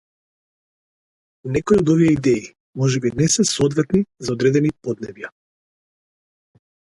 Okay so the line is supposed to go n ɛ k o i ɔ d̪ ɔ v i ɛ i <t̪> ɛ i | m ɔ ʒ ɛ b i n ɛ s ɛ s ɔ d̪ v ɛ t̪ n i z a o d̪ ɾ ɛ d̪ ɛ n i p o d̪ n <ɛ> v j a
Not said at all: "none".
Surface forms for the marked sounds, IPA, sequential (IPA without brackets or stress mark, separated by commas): d̪, ɛ